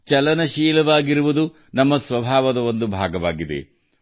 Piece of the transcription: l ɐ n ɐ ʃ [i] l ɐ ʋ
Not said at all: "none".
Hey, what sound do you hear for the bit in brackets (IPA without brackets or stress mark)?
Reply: iː